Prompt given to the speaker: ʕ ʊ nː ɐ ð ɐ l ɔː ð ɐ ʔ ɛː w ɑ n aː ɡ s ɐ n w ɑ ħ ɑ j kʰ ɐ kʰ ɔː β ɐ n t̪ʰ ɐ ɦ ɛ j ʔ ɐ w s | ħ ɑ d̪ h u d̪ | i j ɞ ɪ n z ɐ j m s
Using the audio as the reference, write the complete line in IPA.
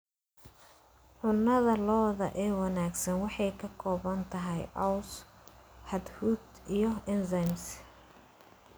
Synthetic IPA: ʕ ʊ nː ɐ ð ɐ l ɔː ð ɐ ʔ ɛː w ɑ n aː ɡ s ɐ n w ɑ ħ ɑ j kʰ ɐ kʰ ɔː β ɐ n t̪ʰ ɐ ɦ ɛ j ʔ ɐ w s | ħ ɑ d̪ h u d̪ | i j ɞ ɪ n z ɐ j m s

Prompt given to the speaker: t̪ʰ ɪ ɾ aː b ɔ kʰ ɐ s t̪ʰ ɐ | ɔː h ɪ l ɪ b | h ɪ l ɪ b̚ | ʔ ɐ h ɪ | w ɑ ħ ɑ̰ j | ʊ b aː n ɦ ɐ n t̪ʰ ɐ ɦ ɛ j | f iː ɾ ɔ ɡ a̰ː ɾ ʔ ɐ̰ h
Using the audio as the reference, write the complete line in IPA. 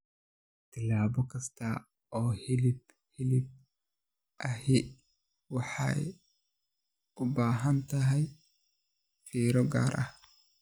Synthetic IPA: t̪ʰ ɪ l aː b ɔ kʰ ɐ s t̪ʰ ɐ | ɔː h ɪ l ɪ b | h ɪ l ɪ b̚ | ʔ ɐ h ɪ | w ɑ ħ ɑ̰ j | ʊ b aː ɦ ɐ n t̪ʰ ɐ ɦ ɛ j | f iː ɾ ɔ ɡ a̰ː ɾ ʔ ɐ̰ h

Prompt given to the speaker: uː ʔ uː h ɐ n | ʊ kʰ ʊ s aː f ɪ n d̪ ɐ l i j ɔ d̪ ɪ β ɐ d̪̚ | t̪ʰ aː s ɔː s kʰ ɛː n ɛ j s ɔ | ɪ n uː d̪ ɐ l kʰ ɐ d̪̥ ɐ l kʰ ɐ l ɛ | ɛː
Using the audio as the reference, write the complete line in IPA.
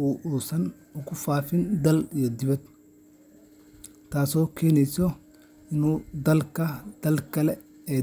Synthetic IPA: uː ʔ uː s ɐ n | ʊ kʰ ʊ f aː f ɪ n d̪ ɐ l i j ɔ d̪ ɪ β ɐ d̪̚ | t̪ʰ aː s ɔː kʰ ɛː n ɛ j s ɔ | ɪ n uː d̪ ɐ l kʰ ɐ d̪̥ ɐ l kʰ ɐ l ɛ | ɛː

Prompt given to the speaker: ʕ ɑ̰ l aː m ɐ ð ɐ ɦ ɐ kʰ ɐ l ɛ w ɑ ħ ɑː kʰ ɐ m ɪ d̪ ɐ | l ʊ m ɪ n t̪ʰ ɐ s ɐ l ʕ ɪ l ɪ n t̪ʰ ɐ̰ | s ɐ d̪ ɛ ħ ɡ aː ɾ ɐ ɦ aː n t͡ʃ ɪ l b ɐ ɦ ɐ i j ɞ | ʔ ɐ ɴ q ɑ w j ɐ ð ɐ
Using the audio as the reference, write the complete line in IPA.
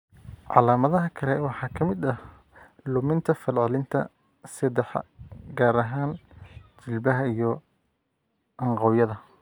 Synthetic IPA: ʕ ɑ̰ l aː m ɐ ð ɐ ɦ ɐ kʰ ɐ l ɛ w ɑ ħ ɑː kʰ ɐ m ɪ d̪ ɐ | l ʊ m ɪ n t̪ʰ ɐ f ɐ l ʕ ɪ l ɪ n t̪ʰ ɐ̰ | s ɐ d̪ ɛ ħ ɡ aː ɾ ɐ ɦ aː n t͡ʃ ɪ l b ɐ ɦ ɐ i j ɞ | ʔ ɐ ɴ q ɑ w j ɐ ð ɐ

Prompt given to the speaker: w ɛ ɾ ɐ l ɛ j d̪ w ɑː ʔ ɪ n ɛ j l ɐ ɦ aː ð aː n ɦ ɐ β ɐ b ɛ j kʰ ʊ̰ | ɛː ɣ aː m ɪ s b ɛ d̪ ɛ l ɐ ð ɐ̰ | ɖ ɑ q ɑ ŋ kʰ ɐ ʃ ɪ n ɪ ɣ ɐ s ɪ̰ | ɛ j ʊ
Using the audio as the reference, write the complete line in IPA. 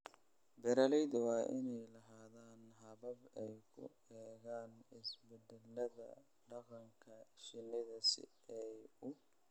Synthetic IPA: b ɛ ɾ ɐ l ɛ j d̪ w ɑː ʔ ɪ n ɛ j l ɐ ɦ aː ð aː n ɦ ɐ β ɐ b ɛ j kʰ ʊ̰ | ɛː ɣ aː n ɪ s b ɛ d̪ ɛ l ɐ ð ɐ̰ | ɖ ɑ q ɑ ŋ kʰ ɐ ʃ ɪ n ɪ ð ɐ s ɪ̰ | ɛ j ʊ

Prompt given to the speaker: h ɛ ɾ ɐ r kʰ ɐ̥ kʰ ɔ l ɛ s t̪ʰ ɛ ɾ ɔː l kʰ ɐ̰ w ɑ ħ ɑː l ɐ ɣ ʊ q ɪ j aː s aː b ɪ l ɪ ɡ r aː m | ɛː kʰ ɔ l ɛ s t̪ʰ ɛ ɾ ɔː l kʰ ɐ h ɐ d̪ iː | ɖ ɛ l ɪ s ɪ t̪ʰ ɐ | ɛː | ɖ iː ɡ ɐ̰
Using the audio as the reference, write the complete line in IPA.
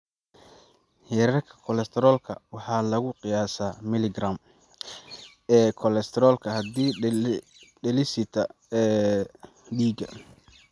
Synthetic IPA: h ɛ ɾ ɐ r kʰ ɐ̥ kʰ ɔ l ɛ s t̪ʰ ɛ ɾ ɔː l kʰ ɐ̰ w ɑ ħ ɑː l ɐ ɣ ʊ q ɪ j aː s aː m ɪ l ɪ ɡ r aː m | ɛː kʰ ɔ l ɛ s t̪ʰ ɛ ɾ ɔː l kʰ ɐ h ɐ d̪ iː | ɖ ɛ l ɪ s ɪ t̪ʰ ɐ | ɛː | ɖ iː ɡ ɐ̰

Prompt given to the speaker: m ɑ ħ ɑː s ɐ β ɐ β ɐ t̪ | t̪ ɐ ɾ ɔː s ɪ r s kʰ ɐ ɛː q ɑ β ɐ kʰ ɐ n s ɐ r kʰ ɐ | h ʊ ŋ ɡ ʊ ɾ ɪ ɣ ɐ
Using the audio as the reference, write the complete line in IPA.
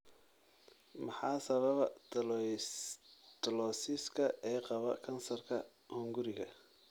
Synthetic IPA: m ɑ ħ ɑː s ɐ β ɐ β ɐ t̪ | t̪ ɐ l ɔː s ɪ s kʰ ɐ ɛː q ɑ β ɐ kʰ ɐ n s ɐ r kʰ ɐ | h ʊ ŋ ɡ ʊ ɾ ɪ ɣ ɐ

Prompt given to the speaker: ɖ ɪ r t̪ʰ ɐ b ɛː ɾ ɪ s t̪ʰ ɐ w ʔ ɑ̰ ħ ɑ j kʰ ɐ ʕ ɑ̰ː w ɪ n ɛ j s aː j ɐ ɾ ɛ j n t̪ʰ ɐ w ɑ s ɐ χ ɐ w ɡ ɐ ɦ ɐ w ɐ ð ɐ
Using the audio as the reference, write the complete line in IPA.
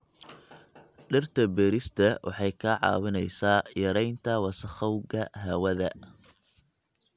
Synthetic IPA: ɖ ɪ r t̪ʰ ɐ b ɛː ɾ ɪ s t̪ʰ ɐ w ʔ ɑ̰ ħ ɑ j kʰ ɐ ʕ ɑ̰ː w ɪ n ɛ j s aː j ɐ ɾ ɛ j n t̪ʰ ɐ w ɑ s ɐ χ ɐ w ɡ ɐ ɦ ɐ w ɐ ð ɐ

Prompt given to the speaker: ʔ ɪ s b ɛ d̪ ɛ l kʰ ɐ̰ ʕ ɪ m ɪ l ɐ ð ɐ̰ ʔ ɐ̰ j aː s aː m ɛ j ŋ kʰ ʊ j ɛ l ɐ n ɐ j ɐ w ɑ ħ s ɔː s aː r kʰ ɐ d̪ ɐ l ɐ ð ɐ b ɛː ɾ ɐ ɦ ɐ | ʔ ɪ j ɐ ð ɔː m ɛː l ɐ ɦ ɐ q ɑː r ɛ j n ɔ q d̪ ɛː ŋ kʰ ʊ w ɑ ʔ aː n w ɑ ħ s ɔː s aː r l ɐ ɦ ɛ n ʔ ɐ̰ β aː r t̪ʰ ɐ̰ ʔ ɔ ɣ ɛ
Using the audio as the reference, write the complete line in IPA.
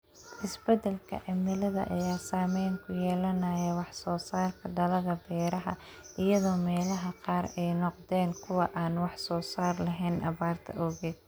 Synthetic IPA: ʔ ɪ s b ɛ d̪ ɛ l kʰ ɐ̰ ʕ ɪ m ɪ l ɐ ð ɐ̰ ʔ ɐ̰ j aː s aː m ɛ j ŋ kʰ ʊ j ɛː l ɐ n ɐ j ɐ w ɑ ħ s ɔː s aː r kʰ ɐ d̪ ɐ l ɐ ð ɐ b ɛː ɾ ɐ ɦ ɐ | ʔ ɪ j ɐ ð ɔː m ɛː l ɐ ɦ ɐ q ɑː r ɛ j n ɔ q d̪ ɛː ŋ kʰ ʊ w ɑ ʔ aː n w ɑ ħ s ɔː s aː r l ɐ ɦ ɛ n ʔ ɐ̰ β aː r t̪ʰ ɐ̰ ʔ ɔ ɣ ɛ

